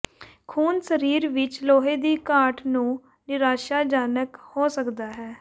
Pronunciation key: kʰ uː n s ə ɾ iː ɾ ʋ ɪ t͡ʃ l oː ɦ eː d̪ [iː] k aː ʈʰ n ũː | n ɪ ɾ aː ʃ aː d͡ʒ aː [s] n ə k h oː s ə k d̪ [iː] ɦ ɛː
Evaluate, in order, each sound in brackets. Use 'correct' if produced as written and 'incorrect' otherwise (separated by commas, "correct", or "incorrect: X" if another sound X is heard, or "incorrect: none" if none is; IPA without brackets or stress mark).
correct, incorrect: none, incorrect: aː